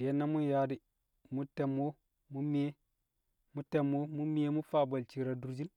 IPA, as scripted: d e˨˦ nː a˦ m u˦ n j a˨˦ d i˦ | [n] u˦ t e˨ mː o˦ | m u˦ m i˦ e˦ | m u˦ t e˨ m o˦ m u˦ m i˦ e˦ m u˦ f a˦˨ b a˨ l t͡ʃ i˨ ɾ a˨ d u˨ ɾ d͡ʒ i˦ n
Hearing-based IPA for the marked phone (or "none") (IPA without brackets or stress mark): m